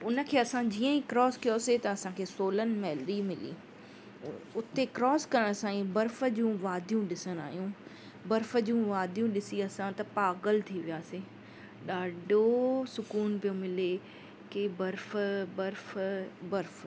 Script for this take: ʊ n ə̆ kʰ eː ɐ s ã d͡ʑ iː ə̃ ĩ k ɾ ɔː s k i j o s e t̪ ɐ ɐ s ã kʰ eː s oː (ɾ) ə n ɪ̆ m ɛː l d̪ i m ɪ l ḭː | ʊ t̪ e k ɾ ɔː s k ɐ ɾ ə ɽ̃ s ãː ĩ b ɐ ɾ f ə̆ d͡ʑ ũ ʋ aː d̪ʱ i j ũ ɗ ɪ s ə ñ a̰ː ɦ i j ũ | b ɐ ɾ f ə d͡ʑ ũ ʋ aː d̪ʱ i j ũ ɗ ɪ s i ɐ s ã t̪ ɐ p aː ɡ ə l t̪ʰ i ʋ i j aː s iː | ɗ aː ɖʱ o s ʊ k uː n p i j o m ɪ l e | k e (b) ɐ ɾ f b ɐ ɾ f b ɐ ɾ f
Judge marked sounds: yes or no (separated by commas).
no, yes